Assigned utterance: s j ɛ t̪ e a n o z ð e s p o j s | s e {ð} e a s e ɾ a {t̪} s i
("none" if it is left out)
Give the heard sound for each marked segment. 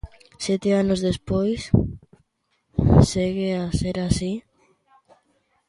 ɣ, none

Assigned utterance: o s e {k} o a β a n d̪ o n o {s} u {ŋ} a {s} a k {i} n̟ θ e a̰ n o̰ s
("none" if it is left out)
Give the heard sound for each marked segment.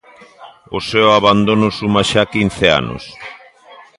none, s, m, ʃ, i

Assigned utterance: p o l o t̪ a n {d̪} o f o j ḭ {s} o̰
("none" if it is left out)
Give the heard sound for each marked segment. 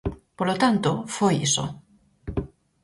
t̪, s

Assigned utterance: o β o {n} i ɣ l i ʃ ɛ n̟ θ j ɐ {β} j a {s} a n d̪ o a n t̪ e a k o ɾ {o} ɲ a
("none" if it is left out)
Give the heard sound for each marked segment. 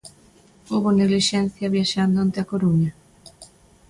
n, β, ʃ, u

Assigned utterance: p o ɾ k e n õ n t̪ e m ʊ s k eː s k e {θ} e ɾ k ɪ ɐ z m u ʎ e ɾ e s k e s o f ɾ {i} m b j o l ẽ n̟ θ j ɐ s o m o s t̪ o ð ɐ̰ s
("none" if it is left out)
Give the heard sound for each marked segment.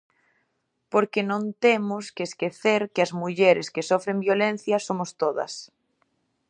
θ, e

